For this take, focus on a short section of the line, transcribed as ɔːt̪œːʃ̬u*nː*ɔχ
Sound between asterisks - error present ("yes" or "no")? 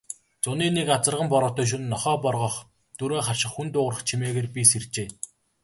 no